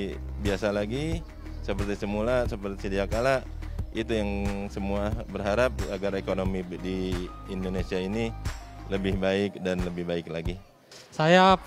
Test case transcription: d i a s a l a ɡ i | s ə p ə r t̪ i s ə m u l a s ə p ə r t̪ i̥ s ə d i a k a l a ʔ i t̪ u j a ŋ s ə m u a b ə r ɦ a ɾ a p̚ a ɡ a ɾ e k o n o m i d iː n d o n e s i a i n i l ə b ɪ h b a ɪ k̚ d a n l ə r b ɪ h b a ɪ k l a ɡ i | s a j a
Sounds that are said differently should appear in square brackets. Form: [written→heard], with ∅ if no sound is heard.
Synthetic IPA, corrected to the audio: [d→b] i a s a l a ɡ i | s ə p ə r t̪ i s ə m u l a s ə p ə r t̪ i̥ s ə d i a k a l a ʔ i t̪ u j a ŋ s ə m u a b ə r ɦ a ɾ a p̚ a ɡ a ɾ e k o n o m i d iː n d o n e s i a i n i l ə b ɪ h b a ɪ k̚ d a n l ə [r→∅] b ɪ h b a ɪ k l a ɡ i | s a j a